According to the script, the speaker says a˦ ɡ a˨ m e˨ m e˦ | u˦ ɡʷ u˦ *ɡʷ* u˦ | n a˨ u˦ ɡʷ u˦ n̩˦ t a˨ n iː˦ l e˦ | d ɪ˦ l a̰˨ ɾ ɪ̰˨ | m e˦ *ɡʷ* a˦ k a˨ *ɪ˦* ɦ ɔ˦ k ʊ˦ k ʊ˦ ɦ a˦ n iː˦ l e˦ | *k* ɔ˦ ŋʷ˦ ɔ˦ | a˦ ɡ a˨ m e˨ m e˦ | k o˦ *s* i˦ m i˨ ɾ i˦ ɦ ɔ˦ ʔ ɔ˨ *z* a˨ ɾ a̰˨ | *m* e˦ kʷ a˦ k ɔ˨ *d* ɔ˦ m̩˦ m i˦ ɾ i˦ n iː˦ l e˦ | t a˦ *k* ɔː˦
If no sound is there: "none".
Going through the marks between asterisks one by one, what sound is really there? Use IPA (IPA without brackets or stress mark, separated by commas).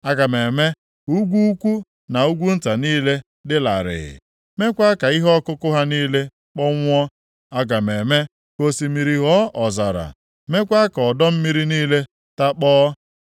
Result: kʷ, kʷ, i˦, k͡p, s, z, m, d, k͡p